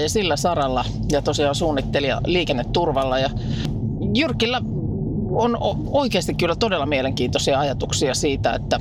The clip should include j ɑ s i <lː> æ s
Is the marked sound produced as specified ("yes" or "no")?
yes